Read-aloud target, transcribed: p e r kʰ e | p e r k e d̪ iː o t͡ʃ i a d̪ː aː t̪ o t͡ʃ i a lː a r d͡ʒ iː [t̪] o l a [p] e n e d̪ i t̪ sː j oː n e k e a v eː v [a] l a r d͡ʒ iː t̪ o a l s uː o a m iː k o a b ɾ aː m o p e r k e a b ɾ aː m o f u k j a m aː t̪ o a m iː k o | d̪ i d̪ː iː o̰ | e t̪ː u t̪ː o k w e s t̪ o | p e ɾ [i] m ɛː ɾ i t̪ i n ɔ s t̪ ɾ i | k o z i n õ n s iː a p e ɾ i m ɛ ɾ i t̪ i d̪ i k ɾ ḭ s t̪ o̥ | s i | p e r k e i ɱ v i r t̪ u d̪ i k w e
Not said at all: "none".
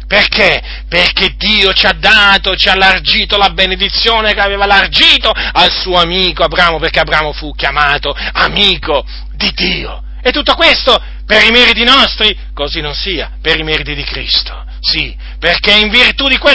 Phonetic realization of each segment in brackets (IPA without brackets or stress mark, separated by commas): t̪, b, a, i